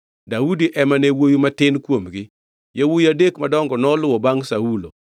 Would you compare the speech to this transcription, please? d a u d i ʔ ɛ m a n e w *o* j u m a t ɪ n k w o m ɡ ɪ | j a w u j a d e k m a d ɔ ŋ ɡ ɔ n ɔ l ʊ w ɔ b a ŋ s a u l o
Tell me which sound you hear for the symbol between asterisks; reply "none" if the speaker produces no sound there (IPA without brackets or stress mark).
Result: o